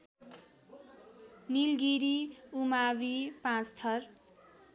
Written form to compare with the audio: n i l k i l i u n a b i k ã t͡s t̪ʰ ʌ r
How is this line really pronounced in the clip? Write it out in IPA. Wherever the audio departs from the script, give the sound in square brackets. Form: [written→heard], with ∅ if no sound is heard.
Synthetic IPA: n i l [k→ɡ] i [l→ɾ] i u [n→m] a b i [k→p] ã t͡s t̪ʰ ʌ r